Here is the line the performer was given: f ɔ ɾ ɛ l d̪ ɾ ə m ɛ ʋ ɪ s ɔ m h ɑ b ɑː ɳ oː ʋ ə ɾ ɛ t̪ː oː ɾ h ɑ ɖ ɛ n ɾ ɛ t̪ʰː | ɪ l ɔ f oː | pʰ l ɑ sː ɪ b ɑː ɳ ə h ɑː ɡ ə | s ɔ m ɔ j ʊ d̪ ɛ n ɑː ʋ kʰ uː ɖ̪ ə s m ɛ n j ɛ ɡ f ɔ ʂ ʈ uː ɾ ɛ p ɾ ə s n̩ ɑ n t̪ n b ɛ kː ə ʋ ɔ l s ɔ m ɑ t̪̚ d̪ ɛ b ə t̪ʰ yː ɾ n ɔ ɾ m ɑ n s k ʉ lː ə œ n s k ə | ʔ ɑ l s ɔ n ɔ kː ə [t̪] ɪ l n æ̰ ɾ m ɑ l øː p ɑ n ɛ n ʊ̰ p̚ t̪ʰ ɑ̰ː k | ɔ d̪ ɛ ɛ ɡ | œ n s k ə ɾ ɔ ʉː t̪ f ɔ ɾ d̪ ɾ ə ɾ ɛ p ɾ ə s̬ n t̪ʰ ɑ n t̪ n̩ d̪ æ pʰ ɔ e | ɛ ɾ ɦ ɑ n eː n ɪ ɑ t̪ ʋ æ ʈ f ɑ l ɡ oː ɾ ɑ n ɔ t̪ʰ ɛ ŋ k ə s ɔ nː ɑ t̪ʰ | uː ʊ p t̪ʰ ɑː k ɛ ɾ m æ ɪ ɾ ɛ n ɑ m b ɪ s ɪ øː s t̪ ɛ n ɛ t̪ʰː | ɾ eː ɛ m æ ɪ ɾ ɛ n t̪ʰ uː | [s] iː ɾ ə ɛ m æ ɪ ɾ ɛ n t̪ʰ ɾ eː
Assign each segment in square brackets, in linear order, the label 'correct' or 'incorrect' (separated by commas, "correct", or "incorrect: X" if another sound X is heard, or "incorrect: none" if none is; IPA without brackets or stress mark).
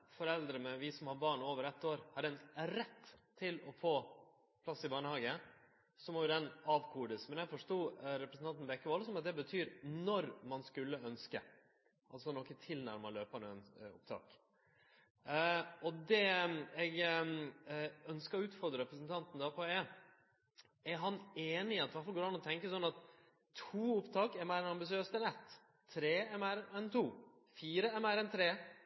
incorrect: t̪ʰ, incorrect: f